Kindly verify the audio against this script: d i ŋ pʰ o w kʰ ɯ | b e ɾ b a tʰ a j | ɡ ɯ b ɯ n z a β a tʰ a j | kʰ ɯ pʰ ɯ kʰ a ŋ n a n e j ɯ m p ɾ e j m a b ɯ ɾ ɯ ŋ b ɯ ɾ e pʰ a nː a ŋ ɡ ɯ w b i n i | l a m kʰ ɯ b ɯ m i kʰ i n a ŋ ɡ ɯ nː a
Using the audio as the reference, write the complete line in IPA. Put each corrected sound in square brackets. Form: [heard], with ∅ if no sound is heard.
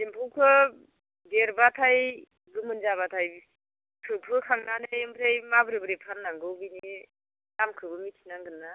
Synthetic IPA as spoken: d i [m] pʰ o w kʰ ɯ | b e ɾ b a tʰ a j | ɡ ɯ [m] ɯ n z a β a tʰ a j | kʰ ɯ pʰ ɯ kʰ a ŋ n a n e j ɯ m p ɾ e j m a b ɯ ɾ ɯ [∅] b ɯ ɾ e pʰ a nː a ŋ ɡ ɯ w b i n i | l a m kʰ ɯ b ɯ m i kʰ i n a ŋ ɡ ɯ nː a